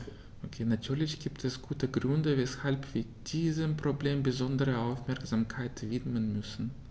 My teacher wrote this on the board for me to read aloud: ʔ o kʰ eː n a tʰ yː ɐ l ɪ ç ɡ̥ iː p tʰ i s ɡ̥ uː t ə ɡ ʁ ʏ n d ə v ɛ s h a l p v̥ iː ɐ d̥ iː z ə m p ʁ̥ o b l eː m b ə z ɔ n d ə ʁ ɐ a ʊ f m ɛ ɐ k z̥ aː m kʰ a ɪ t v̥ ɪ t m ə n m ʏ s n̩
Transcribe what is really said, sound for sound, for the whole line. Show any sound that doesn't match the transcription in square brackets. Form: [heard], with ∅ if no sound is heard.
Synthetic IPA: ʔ o kʰ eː n a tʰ yː ɐ l ɪ ç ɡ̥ iː p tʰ [ɛ] s ɡ̥ uː t ə ɡ ʁ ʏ n d ə v ɛ s h a l p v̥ iː ɐ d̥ iː z ə m p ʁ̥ o b l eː m b ə z ɔ n d ə ʁ [ə] a ʊ f m ɛ ɐ k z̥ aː m kʰ a ɪ t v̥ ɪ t m ə n m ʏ s n̩

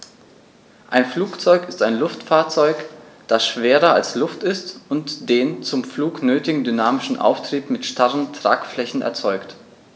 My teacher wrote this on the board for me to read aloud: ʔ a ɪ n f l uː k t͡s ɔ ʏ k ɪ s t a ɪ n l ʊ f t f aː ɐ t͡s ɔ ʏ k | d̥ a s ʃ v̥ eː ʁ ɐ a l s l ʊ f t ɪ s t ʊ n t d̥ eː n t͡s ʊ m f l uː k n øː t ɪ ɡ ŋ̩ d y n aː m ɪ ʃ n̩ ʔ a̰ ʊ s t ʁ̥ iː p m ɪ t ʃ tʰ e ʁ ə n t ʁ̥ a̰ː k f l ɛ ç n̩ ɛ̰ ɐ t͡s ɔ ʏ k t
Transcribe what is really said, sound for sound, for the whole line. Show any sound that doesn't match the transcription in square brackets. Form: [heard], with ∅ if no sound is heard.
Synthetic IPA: ʔ a ɪ n f l uː k t͡s ɔ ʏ k ɪ s t a ɪ n l ʊ f t f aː ɐ t͡s ɔ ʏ k | d̥ a s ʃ v̥ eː ʁ ɐ a l s l ʊ f t ɪ s t ʊ n t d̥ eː n t͡s ʊ m f l uː k n øː t ɪ ɡ ŋ̩ d y n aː m ɪ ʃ n̩ ʔ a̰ ʊ [f] t ʁ̥ iː p m ɪ t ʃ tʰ [a] ʁ ə n t ʁ̥ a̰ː k f l ɛ ç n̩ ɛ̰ ɐ t͡s ɔ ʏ k t

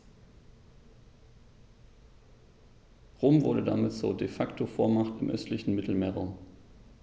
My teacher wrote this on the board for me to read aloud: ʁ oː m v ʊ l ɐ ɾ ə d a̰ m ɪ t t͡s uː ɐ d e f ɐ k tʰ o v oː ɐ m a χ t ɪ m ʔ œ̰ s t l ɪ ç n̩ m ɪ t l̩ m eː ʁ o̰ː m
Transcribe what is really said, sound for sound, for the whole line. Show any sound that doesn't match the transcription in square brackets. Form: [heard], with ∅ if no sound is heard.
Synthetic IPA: ʁ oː m v ʊ [∅] ɐ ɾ ə d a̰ m ɪ t t͡s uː ɐ d e f [a] k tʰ o [f] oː ɐ m a χ t ɪ m ʔ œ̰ s t l ɪ ç n̩ m ɪ t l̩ m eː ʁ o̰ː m

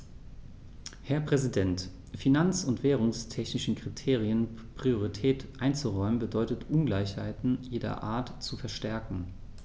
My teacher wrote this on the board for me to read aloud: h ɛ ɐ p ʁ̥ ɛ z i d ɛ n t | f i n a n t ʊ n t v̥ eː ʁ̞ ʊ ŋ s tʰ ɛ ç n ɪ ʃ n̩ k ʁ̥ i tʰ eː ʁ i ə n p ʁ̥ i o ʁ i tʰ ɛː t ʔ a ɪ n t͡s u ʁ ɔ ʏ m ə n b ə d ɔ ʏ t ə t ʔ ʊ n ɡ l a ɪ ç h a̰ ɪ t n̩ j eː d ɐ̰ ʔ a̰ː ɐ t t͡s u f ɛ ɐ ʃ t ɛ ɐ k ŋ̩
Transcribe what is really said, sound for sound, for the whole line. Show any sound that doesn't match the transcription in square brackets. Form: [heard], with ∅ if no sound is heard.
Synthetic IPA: h ɛ ɐ p ʁ̥ ɛ z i d ɛ n t | f i n a n [t͡s] ʊ n t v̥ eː ʁ̞ ʊ ŋ s tʰ ɛ ç n ɪ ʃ n̩ k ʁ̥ i tʰ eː ʁ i ə n p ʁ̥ i o ʁ i tʰ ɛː t ʔ a ɪ n t͡s u ʁ ɔ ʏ m ə n b ə d ɔ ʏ t ə t ʔ ʊ n ɡ l a ɪ ç h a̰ ɪ t n̩ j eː d ɐ̰ ʔ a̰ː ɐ t t͡s u f ɛ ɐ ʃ t ɛ ɐ k ŋ̩

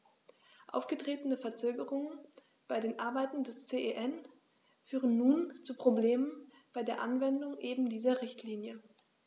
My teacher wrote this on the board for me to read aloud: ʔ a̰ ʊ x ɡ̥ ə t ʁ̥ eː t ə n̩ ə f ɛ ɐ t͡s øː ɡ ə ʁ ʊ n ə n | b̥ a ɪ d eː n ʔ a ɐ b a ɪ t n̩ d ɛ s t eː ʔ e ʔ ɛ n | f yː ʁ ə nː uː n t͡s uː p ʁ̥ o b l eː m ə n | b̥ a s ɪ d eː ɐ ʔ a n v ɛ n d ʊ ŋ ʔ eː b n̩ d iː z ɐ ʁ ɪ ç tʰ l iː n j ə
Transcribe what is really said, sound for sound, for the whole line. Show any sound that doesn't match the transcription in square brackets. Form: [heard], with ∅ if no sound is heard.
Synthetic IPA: ʔ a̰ ʊ [f] ɡ̥ ə t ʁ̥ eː t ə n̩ ə f ɛ ɐ t͡s øː ɡ ə ʁ ʊ [ŋ] ə n | b̥ a ɪ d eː n ʔ a ɐ b a ɪ t n̩ d ɛ s [t͡s] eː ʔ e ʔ ɛ n | f yː ʁ ə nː uː n t͡s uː p ʁ̥ o b l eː m ə n | b̥ a [∅] ɪ d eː ɐ ʔ a n v ɛ n d ʊ ŋ ʔ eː b [m̩] d iː z ɐ ʁ ɪ ç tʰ l iː n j ə

